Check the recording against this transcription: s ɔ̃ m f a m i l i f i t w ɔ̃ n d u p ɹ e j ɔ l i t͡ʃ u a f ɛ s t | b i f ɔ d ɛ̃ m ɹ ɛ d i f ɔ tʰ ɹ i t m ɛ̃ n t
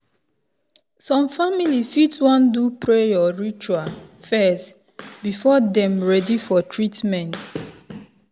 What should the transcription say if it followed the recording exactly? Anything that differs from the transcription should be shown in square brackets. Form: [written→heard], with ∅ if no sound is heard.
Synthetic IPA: s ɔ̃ m f a m i l i f i t w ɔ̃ n d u p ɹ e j ɔ [l→ɹ] i t͡ʃ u a f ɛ s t | b i f ɔ d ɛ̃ m ɹ ɛ d i f ɔ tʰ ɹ i t m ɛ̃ n t